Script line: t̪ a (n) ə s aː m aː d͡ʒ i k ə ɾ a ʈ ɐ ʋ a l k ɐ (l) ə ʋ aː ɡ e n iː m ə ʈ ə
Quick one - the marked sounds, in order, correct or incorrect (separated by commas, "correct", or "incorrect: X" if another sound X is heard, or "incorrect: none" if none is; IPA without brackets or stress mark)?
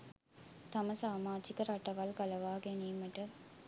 incorrect: m, correct